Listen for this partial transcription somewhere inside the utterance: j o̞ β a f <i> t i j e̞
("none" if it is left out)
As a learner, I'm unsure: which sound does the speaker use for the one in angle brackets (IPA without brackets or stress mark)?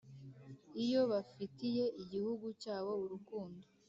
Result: i